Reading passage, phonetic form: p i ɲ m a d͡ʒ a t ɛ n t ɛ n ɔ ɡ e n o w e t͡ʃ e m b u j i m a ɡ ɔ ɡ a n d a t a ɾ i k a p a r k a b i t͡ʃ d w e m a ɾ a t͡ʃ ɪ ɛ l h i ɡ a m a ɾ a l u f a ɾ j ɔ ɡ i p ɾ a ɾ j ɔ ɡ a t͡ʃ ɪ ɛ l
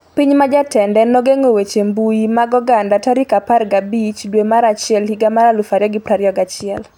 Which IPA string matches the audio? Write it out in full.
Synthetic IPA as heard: p i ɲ m a d͡ʒ a t ɛ n d ɛ n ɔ ɡ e ŋ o w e t͡ʃ e m b u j i m a ɡ ɔ ɡ a n d a t a ɾ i k a p a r ɡ a b i t͡ʃ d w e m a ɾ a t͡ʃ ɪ ɛ l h i ɡ a m a ɾ a l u f a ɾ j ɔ ɡ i p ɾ a ɾ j ɔ ɡ a t͡ʃ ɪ ɛ l